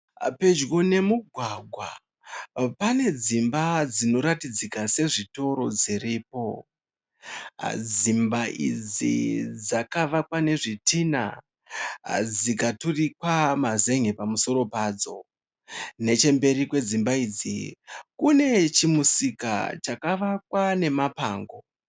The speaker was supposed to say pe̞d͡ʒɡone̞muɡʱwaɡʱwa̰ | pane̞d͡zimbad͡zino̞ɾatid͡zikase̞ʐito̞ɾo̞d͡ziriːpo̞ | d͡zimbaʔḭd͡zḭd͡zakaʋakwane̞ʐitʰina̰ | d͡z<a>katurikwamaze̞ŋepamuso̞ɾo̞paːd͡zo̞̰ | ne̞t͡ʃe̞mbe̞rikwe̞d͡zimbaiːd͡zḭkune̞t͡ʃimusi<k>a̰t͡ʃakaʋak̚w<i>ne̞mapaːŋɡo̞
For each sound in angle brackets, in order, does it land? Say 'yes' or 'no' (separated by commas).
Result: no, yes, no